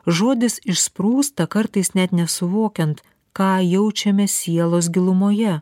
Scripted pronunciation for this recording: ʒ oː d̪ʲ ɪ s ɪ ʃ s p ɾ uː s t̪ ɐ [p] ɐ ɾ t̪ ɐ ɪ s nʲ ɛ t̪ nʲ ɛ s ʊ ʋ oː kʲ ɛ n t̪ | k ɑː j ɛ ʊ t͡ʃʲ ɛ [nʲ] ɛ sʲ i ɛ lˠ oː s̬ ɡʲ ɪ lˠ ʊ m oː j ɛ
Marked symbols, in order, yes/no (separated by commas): no, no